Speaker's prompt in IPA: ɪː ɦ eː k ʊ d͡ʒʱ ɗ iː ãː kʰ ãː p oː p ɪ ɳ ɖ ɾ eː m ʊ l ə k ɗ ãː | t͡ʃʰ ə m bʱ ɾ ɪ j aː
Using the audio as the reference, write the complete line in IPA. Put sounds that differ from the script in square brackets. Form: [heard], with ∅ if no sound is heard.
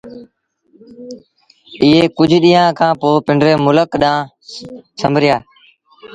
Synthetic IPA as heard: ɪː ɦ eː k ʊ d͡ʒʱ ɗ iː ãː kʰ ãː p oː p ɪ ɳ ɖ ɾ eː m ʊ l ə k ɗ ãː | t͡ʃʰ ə m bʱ ɾ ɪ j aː